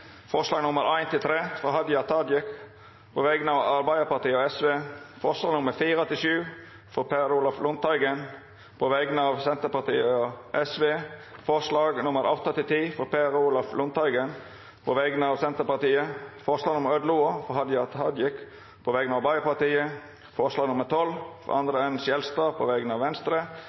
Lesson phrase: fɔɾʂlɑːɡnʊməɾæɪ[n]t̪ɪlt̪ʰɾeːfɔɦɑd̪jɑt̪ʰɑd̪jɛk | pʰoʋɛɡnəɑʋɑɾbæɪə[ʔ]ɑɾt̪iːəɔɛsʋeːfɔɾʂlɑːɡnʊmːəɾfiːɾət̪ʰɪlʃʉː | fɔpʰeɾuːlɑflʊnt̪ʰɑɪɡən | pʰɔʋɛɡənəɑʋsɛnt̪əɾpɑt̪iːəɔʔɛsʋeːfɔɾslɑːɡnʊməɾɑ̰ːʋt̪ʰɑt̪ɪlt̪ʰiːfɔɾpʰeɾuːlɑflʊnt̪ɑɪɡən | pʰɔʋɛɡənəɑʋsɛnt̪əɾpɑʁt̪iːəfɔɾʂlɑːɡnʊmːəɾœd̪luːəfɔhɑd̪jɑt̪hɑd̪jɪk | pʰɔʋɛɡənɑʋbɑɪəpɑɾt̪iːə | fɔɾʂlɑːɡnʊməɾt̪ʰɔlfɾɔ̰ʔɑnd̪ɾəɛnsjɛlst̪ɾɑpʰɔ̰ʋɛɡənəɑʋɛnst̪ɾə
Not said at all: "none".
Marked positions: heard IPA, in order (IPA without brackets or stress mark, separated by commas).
n, p